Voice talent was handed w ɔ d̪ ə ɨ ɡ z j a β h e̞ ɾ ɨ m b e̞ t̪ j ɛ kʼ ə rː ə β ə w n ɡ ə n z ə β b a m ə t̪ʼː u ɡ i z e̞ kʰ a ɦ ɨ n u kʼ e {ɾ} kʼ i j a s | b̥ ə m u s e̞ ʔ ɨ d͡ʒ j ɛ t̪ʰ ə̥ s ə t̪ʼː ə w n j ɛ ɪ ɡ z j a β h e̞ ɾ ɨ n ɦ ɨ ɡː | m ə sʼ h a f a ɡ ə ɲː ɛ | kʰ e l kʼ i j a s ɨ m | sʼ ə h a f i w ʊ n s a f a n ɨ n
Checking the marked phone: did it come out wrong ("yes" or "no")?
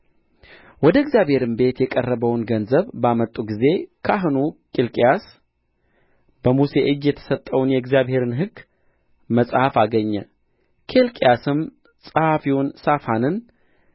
yes